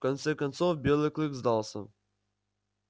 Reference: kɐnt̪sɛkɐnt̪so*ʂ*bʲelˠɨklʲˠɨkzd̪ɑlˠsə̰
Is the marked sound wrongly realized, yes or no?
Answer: yes